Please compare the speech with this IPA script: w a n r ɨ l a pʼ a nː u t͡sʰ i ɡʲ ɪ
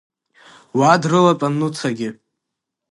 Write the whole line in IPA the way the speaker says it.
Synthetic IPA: w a d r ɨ l a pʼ a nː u t͡sʰ a ɡʲ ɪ